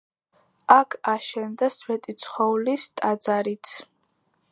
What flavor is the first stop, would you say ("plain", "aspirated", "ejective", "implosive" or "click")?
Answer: aspirated